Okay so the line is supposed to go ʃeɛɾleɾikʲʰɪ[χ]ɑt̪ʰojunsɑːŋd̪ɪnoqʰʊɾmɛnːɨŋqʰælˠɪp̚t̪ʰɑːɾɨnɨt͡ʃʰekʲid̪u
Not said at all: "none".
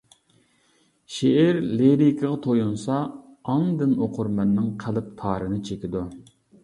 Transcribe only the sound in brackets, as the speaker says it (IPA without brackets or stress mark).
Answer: ʁ